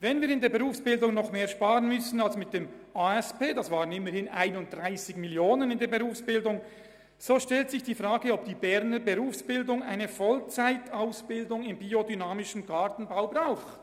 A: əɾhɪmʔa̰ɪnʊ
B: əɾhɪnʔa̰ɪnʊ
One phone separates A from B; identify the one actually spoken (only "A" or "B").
B